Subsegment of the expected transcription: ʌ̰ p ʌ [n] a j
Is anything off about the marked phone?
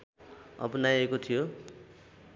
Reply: no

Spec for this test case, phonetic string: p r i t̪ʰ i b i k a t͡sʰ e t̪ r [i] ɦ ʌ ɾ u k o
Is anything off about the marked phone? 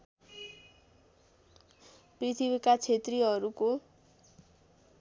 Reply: no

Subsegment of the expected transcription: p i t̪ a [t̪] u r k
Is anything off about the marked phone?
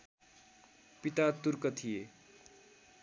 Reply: no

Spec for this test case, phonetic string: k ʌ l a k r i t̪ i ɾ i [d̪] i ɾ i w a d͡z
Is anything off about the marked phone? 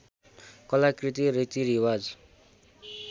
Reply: yes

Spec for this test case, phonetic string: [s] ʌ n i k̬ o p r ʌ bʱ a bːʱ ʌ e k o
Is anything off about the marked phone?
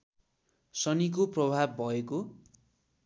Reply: no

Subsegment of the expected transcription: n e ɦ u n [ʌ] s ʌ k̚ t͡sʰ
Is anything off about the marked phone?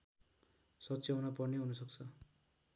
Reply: no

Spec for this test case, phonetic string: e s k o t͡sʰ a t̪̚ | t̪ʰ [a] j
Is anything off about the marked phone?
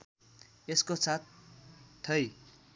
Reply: yes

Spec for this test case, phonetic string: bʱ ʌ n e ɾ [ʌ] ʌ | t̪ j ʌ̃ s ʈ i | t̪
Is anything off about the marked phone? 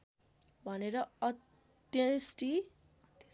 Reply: no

